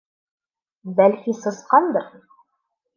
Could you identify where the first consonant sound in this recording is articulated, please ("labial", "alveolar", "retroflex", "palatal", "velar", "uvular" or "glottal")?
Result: labial